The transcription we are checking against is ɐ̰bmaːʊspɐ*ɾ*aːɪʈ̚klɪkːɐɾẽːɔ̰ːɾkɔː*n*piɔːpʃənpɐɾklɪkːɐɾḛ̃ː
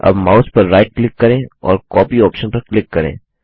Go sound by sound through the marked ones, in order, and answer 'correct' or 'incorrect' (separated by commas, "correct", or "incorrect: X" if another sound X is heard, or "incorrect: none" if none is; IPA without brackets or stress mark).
incorrect: ɾː, incorrect: none